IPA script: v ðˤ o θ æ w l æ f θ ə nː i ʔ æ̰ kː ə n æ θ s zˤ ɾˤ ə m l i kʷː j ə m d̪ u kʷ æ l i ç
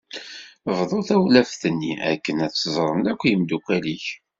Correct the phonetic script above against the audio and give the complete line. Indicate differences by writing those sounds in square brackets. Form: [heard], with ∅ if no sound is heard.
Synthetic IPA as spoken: v ðˤ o θ æ w l æ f θ ə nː i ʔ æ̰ kː ə n æ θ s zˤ ɾˤ ə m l [æ] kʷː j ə m d̪ u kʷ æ l i ç